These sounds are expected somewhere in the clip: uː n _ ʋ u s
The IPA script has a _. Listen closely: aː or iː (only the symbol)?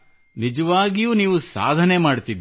iː